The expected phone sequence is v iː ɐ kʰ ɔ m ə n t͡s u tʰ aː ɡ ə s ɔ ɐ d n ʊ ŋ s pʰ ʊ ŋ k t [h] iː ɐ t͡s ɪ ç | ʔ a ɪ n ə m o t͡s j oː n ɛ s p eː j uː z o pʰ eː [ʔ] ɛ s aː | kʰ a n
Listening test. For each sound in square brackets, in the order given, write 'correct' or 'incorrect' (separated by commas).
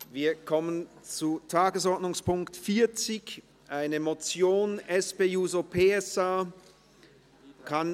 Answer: incorrect, incorrect